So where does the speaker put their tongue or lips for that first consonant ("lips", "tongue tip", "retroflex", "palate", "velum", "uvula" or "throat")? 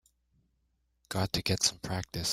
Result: velum